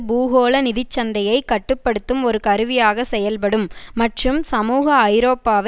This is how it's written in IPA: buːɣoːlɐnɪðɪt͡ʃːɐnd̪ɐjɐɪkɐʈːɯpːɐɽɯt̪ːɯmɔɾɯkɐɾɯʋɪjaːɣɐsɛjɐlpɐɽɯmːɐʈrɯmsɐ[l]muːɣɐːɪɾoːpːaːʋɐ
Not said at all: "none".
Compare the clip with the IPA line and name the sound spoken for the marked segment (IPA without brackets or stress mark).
none